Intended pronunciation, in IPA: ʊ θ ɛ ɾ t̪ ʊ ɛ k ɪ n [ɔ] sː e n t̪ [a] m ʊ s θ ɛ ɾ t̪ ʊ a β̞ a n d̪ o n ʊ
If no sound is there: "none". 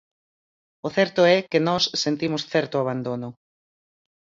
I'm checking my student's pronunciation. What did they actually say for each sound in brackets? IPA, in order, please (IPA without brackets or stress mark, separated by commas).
ɔ, i